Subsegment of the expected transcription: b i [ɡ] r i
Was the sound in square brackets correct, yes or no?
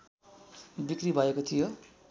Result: no